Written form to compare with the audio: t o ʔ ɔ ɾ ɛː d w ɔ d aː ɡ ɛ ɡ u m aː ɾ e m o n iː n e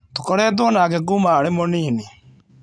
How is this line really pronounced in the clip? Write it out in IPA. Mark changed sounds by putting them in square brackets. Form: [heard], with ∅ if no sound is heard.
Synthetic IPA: t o [k] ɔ ɾ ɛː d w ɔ [n] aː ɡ ɛ ɡ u m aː ɾ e m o n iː n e

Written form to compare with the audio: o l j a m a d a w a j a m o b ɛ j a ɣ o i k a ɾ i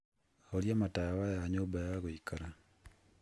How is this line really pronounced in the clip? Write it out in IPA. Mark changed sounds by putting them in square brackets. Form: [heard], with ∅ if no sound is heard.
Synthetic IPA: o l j a m a [t] a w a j a [ɲ] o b [a] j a ɣ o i k a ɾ [a]

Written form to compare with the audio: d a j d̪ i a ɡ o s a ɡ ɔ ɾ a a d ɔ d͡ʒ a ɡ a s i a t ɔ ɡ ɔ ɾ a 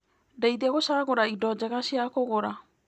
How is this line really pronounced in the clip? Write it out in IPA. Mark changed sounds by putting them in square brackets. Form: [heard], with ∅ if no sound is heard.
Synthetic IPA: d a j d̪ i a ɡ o s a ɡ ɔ ɾ a [i] d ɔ d͡ʒ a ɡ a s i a [k] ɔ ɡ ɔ ɾ a

